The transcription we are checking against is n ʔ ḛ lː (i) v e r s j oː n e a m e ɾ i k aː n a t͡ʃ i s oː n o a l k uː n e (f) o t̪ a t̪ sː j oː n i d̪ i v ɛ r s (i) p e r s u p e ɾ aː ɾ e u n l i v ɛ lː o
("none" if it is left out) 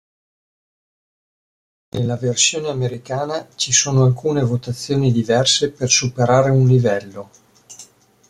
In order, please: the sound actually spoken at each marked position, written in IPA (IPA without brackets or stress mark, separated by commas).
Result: a, v, e